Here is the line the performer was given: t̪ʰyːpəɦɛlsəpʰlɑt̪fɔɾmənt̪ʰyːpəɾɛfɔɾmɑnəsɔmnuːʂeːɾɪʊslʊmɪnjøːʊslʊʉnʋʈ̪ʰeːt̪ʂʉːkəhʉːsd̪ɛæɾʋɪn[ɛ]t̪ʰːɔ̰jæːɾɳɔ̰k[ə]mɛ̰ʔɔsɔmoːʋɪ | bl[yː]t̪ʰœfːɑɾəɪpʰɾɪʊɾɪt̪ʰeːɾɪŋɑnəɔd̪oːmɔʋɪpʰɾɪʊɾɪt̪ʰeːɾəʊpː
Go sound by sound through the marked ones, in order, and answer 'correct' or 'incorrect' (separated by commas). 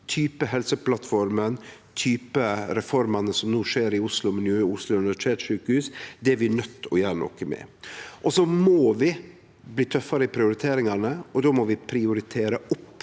incorrect, correct, incorrect